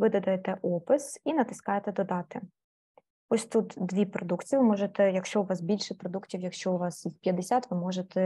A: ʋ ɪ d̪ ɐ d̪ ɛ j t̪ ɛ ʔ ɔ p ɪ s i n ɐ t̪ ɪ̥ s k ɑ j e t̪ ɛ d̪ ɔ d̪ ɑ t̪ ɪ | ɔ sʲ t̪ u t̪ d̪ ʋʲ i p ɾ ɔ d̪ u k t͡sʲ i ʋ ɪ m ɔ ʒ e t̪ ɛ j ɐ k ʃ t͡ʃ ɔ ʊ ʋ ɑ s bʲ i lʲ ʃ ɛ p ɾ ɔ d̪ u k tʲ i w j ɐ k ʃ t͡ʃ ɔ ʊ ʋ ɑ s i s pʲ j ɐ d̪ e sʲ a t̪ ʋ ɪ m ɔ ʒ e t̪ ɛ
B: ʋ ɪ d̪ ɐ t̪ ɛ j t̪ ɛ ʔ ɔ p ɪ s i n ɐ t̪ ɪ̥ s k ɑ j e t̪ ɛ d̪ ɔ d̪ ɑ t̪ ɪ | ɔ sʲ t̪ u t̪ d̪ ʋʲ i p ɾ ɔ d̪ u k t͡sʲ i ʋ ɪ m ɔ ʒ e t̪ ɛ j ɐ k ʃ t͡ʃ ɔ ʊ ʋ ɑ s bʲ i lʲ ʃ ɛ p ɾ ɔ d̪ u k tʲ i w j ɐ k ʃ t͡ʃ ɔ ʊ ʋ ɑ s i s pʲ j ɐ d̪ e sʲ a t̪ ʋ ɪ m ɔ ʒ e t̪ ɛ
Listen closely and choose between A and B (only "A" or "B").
A